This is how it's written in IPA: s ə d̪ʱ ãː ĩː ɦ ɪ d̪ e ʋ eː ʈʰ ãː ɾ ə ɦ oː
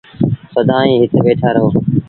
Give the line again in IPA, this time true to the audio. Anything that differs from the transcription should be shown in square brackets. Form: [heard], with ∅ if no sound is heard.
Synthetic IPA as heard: s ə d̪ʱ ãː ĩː ɦ ɪ [t̪] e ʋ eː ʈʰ [aː] ɾ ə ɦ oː